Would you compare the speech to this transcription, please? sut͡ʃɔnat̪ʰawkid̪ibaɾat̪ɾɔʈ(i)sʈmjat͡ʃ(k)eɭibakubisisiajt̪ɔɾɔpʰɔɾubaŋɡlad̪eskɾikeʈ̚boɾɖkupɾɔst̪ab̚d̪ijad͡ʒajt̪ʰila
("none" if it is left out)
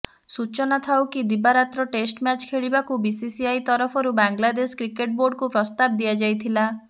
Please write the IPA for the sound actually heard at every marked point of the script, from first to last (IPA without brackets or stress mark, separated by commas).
e, kʰ